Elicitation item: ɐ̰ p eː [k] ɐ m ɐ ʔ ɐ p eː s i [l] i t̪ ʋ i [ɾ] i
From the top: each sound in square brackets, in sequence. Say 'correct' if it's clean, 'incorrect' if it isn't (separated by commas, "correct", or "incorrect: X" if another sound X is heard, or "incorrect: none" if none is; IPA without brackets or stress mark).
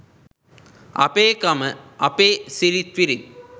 correct, incorrect: ɾ, correct